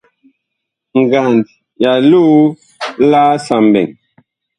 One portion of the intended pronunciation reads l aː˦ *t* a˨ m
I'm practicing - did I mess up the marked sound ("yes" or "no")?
yes